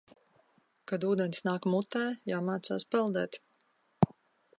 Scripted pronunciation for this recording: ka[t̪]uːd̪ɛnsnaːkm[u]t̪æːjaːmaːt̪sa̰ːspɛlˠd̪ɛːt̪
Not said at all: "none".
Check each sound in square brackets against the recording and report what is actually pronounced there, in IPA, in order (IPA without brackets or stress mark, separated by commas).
d̪, u